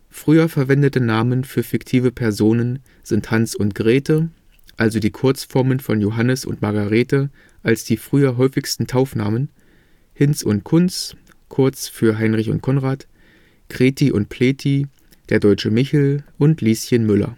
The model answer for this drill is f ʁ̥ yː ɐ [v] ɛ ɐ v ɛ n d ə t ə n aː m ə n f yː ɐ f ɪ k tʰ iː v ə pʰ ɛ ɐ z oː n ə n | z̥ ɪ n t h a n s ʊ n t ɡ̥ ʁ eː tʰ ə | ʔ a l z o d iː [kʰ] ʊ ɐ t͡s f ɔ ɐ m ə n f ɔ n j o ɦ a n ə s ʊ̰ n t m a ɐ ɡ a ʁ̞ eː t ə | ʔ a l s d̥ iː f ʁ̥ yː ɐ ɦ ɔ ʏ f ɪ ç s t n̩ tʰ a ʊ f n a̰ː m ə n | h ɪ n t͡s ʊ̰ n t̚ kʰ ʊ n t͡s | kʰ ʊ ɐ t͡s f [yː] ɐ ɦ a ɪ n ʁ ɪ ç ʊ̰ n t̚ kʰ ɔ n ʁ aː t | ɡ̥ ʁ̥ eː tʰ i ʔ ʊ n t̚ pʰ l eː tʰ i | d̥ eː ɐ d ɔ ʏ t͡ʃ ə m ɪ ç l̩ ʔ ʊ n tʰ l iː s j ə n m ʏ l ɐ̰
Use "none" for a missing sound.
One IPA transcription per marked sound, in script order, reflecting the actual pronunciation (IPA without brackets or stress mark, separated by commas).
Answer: f, kʰ, yː